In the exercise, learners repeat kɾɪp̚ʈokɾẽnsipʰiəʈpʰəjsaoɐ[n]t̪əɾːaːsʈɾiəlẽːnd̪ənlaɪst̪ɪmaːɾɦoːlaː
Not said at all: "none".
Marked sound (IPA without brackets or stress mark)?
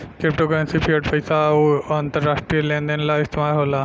n